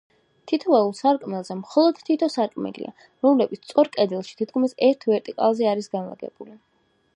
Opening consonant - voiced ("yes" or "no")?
no